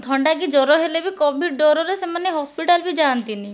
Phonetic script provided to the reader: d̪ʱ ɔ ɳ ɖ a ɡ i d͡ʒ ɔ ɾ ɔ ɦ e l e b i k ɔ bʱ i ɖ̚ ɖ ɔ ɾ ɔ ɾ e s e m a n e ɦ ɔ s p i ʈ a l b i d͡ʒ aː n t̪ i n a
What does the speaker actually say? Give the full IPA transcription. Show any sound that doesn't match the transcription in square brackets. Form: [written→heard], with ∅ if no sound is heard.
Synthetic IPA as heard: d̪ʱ ɔ ɳ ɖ a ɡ i d͡ʒ ɔ ɾ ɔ ɦ e l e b i k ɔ bʱ i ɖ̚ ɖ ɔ ɾ ɔ ɾ e s e m a n e ɦ ɔ s p i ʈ a l b i d͡ʒ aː n t̪ i n [a→i]